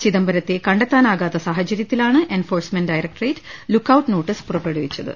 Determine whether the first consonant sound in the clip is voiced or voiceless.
voiceless